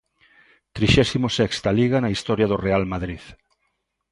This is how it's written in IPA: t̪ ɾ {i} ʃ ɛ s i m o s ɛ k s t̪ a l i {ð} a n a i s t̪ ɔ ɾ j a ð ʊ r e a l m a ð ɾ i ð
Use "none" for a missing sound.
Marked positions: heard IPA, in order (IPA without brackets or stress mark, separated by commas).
i, ɣ